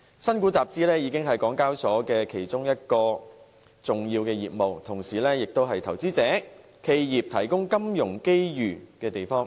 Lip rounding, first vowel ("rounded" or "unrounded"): unrounded